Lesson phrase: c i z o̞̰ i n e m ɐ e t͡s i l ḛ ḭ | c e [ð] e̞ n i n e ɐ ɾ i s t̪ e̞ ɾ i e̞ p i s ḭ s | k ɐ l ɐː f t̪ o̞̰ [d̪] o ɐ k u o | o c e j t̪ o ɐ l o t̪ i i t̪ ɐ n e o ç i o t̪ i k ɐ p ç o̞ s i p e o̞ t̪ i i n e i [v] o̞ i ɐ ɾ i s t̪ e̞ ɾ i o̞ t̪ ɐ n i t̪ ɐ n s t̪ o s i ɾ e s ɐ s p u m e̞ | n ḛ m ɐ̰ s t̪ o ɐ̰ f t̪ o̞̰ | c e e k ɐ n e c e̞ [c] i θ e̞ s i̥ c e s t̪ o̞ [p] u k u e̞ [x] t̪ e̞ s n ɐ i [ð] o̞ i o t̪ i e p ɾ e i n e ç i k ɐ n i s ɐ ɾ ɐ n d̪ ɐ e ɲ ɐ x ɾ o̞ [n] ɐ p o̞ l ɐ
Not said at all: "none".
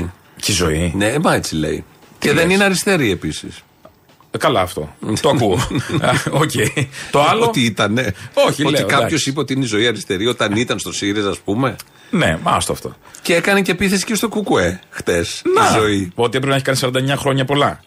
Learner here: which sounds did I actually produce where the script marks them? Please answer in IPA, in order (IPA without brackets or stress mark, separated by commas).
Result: ð, t̪, z, p, k, x, z, ɲ